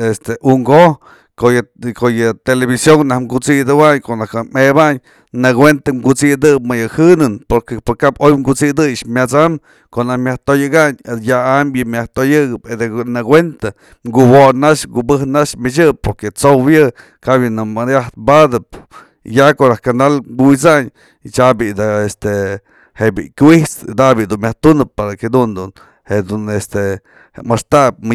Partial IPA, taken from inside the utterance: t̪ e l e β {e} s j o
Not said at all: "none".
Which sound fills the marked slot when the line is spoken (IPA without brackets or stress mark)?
i